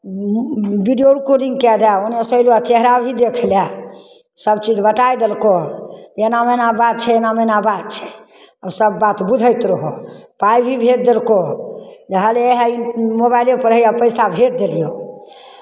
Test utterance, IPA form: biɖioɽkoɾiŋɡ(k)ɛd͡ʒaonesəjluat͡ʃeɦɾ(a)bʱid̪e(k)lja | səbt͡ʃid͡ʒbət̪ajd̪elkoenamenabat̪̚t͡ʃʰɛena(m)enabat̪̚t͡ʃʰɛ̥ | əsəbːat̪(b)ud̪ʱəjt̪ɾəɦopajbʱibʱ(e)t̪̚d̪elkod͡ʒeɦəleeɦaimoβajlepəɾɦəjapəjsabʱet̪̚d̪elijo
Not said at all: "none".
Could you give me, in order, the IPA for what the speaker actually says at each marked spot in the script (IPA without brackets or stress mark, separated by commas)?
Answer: k, a, kʰ, m, b, e